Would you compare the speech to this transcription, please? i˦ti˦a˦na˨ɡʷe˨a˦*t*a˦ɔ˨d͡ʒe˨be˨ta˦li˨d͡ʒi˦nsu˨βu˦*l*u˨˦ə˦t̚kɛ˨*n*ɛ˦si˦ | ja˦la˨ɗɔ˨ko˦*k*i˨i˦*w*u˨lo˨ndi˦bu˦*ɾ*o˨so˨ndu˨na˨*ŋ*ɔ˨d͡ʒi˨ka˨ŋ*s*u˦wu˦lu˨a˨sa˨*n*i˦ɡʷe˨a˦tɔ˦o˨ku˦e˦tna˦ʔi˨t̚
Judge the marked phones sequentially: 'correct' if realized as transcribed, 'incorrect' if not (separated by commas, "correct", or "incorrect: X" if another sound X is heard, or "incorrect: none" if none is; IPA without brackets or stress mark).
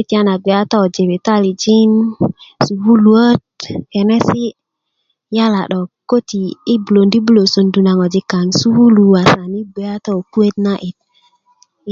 correct, correct, correct, incorrect: t, incorrect: b, incorrect: l, correct, correct, correct